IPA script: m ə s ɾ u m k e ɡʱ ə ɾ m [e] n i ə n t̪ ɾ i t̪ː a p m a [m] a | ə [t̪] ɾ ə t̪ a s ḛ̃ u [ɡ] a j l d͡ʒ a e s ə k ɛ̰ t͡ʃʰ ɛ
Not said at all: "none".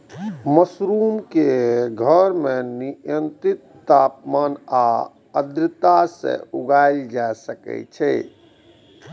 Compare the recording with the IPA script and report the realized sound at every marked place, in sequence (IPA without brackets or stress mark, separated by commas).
e, n, d̪, ɡ